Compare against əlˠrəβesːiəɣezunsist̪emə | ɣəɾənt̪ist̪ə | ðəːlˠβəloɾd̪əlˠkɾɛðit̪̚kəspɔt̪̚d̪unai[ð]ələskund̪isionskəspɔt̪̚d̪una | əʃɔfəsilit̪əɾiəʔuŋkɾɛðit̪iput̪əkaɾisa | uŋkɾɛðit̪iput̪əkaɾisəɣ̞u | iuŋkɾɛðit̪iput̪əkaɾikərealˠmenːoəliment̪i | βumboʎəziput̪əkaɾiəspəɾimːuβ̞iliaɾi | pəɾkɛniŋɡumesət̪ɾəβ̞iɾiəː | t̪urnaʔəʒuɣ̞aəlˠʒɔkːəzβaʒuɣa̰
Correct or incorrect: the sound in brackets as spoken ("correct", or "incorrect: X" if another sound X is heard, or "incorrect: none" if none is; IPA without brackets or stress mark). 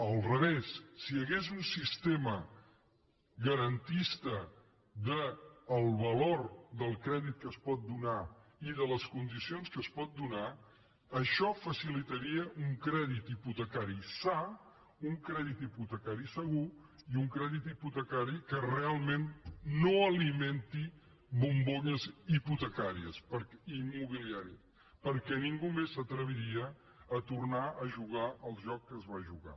correct